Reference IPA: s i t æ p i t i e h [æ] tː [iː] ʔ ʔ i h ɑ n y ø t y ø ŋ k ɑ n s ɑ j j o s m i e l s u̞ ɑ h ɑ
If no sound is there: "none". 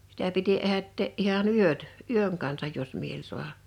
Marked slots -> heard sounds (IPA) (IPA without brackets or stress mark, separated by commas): æ, eː